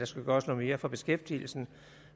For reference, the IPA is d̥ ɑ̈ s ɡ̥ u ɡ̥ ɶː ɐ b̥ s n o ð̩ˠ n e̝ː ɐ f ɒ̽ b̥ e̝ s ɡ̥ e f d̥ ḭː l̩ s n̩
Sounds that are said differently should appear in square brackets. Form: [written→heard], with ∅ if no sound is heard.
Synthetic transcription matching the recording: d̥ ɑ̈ s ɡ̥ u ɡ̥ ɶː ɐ [b̥→∅] s n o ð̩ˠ [n→m] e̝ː ɐ f ɒ̽ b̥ e̝ s ɡ̥ e f d̥ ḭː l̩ s n̩